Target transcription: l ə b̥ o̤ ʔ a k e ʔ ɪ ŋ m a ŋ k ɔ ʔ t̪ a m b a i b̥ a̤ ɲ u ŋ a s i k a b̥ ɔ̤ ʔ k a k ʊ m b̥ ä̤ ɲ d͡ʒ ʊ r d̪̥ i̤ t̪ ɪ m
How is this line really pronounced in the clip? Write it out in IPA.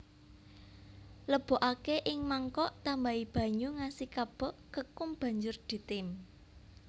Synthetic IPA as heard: l ə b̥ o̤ ʔ a k e ʔ ɪ ŋ m a ŋ k ɔ ʔ t̪ a m b a i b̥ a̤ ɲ u ŋ a s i k a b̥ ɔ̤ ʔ k ə k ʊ m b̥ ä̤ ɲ d͡ʒ ʊ r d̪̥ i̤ t̪ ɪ m